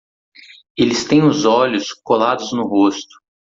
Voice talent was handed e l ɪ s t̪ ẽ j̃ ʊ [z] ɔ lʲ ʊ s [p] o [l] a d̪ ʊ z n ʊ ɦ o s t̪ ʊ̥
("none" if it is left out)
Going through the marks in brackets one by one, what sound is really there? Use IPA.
z, k, l

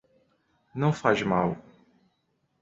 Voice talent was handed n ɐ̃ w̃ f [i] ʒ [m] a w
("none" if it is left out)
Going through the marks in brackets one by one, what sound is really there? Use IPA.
a, m

